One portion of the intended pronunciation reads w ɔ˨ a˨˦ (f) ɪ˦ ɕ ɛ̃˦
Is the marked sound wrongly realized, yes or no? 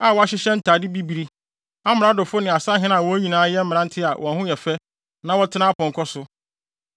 yes